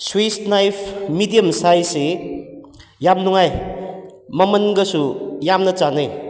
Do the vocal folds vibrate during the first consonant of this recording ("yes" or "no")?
no